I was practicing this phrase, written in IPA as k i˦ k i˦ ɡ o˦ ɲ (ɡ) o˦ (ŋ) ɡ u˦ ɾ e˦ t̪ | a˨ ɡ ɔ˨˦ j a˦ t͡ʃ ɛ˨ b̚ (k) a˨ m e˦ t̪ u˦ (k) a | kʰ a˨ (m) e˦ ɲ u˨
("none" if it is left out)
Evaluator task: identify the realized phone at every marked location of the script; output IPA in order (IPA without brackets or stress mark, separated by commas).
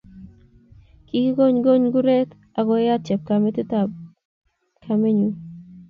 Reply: ɡ, ɲ, k, t, m